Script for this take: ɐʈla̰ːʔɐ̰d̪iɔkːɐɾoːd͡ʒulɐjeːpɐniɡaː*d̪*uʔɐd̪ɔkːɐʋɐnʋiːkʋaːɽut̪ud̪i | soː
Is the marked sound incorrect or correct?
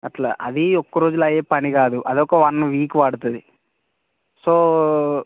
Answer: correct